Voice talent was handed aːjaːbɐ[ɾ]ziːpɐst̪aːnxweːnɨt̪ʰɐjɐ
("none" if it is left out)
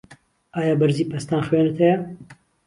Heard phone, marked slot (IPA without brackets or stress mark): ɾ